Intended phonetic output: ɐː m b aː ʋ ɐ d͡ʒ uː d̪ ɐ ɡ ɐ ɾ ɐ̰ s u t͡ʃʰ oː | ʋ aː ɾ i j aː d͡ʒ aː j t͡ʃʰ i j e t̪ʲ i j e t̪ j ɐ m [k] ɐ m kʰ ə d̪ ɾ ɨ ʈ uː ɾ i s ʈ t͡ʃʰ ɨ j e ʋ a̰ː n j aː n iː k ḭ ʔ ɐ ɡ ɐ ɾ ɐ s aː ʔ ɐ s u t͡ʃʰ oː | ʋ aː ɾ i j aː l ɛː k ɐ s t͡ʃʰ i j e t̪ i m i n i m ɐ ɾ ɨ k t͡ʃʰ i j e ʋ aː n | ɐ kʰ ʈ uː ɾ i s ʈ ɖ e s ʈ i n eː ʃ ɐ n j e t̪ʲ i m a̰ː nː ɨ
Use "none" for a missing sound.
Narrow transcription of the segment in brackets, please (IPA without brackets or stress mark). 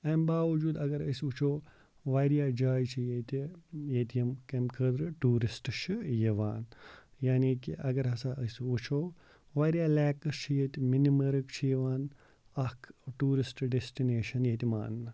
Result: k